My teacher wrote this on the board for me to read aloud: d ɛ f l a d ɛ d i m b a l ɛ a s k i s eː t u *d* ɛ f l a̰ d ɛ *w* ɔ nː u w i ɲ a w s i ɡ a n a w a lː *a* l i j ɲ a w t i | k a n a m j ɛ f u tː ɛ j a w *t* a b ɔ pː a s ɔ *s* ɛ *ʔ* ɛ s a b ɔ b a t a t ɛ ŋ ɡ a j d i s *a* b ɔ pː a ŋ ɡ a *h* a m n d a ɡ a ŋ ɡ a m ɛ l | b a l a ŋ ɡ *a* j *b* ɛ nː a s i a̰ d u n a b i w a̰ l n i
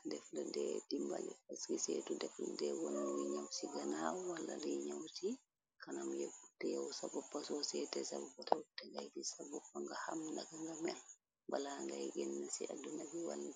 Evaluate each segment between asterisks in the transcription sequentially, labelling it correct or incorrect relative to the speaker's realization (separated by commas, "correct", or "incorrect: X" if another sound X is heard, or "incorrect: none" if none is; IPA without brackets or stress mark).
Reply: correct, correct, correct, incorrect: s, correct, incorrect: t, correct, correct, correct, incorrect: ɡ